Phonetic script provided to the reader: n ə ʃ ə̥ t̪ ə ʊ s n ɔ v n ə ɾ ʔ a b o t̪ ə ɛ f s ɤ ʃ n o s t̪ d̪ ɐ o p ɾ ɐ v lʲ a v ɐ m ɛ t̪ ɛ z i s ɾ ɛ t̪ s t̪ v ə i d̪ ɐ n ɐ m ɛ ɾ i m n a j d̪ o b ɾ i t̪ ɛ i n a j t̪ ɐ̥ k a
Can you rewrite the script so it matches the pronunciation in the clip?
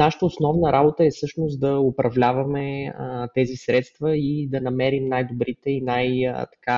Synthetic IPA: n a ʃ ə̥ t̪ ə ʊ s n ɔ v n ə ɾ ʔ a b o t̪ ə ɛ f s ɤ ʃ n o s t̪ d̪ ɐ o p ɾ ɐ v lʲ a v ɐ m ɛ t̪ ɛ z i s ɾ ɛ t̪ s t̪ v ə i d̪ ɐ n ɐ m ɛ ɾ i m n a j d̪ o b ɾ i t̪ ɛ i n a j t̪ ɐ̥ k a